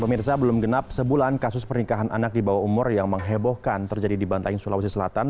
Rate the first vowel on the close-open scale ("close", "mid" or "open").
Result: mid